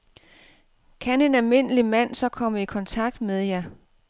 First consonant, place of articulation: velar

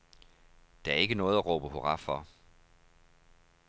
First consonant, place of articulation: alveolar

